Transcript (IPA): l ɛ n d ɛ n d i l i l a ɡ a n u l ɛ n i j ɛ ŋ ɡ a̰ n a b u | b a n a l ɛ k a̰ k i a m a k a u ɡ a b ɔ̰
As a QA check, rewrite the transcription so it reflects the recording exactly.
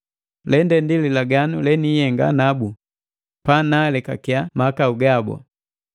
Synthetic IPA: l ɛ n d ɛ n d i l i l a ɡ a n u l ɛ n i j ɛ ŋ ɡ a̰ n a b u | p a n a l ɛ k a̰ k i a m a k a u ɡ a b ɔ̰